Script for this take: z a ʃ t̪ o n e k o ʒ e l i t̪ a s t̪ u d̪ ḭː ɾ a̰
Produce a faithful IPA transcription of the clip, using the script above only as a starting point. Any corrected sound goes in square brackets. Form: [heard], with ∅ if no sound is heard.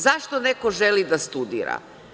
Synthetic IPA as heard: z a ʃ t̪ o n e k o ʒ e l i [d̪] a s t̪ u d̪ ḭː ɾ a̰